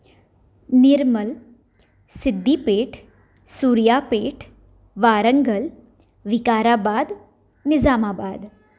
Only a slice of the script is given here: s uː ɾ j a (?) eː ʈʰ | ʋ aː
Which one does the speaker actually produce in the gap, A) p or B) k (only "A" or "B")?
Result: A